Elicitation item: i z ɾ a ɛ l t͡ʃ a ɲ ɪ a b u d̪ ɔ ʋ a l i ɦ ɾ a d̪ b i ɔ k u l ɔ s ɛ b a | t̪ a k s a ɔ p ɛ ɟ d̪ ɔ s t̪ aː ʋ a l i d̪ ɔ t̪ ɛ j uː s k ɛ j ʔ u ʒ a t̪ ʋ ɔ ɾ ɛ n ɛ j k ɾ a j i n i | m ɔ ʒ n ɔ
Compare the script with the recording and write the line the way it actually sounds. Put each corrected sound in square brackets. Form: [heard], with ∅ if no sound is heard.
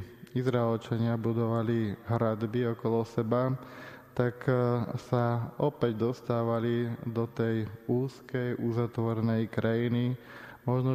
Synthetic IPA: i z ɾ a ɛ l t͡ʃ a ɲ ɪ a b u d̪ ɔ ʋ a l i ɦ ɾ a d̪ b i ɔ k [ɔ] l ɔ s ɛ b a | t̪ a k s a ɔ p ɛ ɟ d̪ ɔ s t̪ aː ʋ a l i d̪ ɔ t̪ ɛ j uː s k ɛ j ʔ u [z] a t̪ ʋ ɔ ɾ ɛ n ɛ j k ɾ a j i n i | m ɔ ʒ n ɔ